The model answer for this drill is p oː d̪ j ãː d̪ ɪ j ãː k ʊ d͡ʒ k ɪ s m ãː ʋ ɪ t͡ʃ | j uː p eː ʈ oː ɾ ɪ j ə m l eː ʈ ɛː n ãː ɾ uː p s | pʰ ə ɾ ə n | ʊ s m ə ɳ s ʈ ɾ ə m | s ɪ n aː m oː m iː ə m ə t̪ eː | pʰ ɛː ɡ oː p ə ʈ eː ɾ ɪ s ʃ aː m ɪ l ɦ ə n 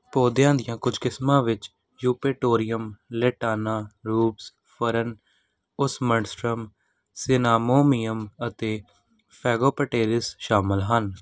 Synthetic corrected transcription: p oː d̪ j ãː d̪ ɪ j ãː k ʊ d͡ʒ k ɪ s m ãː ʋ ɪ t͡ʃ | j uː p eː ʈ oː ɾ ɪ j ə m l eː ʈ aː n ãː ɾ uː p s | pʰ ə ɾ ə n | ʊ s m ə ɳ s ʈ ɾ ə m | s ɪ n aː m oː m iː ə m ə t̪ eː | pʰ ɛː ɡ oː p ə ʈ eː ɾ ɪ s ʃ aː m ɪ l ɦ ə n